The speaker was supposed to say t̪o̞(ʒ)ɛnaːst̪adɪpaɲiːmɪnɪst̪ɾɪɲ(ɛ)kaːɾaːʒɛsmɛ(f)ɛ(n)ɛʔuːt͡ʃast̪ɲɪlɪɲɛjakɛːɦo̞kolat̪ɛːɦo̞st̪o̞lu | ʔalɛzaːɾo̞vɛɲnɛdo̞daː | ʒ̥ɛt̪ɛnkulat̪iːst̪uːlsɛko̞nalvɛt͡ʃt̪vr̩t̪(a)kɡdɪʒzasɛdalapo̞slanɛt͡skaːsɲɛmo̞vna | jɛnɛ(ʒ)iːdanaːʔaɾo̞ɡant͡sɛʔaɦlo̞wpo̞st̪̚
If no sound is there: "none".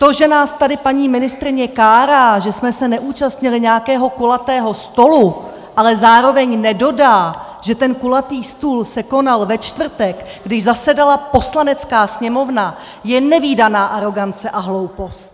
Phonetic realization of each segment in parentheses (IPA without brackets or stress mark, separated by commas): ʒ, ɛ, s, n, ɛ, v